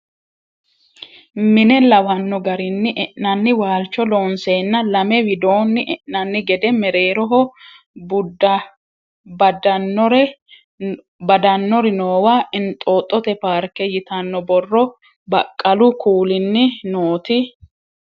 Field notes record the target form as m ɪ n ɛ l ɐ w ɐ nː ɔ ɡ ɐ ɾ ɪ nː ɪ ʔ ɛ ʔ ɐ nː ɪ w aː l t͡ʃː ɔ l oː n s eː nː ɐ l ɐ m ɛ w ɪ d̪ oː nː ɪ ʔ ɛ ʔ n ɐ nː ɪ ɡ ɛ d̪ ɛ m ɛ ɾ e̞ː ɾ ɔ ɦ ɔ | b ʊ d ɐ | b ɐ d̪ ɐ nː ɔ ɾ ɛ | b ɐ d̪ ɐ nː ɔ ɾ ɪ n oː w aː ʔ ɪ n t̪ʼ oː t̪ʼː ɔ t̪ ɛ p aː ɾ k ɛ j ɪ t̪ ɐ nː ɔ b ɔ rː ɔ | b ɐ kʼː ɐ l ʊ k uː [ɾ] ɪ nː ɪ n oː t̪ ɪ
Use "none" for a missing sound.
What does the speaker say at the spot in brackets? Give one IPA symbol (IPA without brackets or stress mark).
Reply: l